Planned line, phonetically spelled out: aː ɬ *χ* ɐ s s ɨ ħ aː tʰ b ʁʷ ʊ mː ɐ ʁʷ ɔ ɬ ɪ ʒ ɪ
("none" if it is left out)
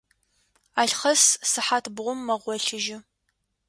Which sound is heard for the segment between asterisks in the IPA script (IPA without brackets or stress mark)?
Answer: χ